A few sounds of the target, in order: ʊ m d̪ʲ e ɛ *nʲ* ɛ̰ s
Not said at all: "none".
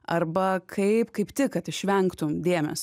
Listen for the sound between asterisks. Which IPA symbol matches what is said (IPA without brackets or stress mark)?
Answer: mʲ